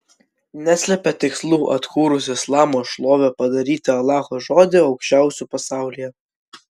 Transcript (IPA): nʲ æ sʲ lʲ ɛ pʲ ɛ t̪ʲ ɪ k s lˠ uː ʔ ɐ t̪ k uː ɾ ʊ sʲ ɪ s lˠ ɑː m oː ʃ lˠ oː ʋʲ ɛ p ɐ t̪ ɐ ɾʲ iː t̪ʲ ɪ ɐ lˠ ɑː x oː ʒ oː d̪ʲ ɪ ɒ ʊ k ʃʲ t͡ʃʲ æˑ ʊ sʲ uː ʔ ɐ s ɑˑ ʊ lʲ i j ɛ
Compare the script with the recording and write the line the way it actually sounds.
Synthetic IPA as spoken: nʲ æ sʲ lʲ ɛ pʲ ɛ t̪ʲ ɪ k s lˠ uː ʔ ɐ t̪ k uː ɾ ʊ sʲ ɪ s lˠ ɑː m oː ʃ lˠ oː ʋʲ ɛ p ɐ d̪ ɐ ɾʲ iː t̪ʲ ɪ ɐ lˠ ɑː x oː ʒ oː d̪ʲ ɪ ɒ ʊ k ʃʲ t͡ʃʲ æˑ ʊ sʲ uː p ɐ s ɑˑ ʊ lʲ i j ɛ